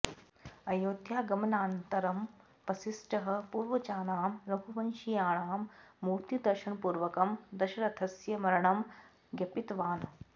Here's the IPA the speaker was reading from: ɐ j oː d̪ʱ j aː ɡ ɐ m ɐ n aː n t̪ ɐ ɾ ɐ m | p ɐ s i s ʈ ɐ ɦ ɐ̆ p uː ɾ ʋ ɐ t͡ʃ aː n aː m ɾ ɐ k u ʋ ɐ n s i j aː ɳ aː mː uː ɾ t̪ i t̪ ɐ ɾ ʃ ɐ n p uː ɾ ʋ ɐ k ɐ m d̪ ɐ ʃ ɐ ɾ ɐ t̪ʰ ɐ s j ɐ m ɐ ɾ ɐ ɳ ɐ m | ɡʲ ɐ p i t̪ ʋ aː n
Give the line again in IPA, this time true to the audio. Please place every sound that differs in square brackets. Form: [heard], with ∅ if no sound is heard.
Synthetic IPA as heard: ɐ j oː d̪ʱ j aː ɡ ɐ m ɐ n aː n t̪ ɐ ɾ ɐ m | p ɐ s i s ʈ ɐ ɦ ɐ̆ p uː ɾ ʋ ɐ t͡ʃ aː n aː m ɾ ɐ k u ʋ ɐ n [ʃ] i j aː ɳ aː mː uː ɾ t̪ i [d̪] ɐ ɾ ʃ ɐ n p uː ɾ ʋ ɐ k ɐ m d̪ ɐ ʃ ɐ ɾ ɐ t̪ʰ ɐ s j ɐ m ɐ ɾ ɐ ɳ ɐ m | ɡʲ ɐ p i t̪ ʋ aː n

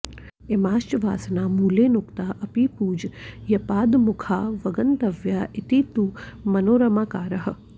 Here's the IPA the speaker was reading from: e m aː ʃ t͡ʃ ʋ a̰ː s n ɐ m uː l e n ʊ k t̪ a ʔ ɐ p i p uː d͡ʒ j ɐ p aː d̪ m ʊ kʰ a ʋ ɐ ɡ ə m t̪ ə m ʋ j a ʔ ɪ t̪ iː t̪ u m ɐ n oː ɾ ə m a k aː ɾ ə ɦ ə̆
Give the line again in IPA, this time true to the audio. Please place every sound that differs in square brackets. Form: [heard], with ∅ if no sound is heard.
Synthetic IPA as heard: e m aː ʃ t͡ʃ ʋ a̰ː s n [a] m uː l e n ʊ k t̪ a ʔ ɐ p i p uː d͡ʒ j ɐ p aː d̪ m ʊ kʰ a ʋ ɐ ɡ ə [n] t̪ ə [∅] ʋ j a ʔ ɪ t̪ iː t̪ u m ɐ n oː ɾ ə m a k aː ɾ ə ɦ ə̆

